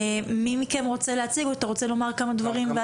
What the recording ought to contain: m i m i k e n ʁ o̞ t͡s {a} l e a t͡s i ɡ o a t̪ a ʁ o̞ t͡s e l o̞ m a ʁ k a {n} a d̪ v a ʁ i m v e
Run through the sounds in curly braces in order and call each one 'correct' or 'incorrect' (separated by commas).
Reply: incorrect, incorrect